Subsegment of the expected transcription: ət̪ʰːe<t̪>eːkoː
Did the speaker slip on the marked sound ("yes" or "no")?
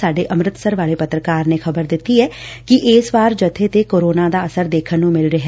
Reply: no